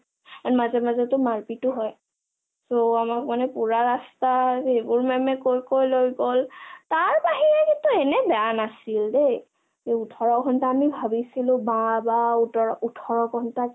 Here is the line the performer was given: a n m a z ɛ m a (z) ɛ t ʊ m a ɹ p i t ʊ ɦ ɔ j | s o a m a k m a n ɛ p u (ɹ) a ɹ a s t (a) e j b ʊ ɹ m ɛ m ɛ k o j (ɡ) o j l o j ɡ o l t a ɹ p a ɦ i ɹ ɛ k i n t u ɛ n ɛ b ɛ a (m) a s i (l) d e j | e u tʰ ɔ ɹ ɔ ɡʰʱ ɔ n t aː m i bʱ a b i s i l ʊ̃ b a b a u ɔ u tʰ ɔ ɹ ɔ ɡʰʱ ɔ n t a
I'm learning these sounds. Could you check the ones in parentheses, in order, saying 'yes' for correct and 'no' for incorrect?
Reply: yes, yes, yes, no, no, yes

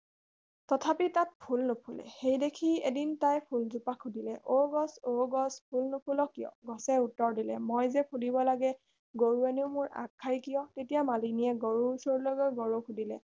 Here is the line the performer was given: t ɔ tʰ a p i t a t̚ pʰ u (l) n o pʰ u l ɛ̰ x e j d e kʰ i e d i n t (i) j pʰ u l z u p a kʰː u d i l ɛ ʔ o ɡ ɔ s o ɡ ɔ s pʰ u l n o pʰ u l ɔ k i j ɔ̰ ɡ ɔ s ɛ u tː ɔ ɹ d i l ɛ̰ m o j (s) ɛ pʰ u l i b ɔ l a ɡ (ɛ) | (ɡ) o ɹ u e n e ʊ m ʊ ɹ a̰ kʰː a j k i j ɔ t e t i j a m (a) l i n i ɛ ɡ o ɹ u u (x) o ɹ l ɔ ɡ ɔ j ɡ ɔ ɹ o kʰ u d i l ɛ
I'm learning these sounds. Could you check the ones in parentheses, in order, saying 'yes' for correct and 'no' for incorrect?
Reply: yes, no, no, yes, yes, yes, no

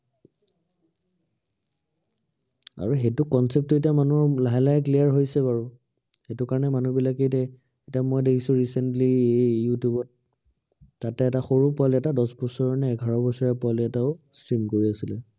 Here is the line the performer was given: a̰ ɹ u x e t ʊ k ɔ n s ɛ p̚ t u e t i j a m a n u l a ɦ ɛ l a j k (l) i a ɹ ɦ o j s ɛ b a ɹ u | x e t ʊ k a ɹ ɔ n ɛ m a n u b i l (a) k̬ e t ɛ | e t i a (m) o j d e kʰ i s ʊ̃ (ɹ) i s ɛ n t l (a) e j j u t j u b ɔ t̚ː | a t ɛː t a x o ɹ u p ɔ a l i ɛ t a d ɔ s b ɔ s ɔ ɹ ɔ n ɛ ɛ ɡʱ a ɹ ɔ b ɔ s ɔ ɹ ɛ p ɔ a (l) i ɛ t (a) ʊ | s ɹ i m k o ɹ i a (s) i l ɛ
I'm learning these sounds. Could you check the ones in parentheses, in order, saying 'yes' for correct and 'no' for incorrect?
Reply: yes, yes, yes, yes, no, yes, yes, yes

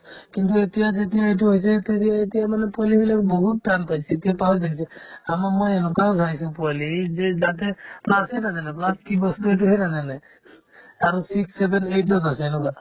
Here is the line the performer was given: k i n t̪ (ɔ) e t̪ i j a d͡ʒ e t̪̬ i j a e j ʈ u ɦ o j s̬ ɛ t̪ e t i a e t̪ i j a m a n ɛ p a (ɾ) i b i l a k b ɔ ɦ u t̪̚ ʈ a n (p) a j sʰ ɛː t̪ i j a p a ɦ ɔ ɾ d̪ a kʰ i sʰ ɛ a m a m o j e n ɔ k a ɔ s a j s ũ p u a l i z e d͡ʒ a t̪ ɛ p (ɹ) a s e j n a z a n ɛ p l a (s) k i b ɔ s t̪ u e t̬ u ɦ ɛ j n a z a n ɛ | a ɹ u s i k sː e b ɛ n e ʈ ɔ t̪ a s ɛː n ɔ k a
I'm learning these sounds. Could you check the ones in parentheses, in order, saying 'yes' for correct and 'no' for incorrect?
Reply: no, no, yes, no, yes

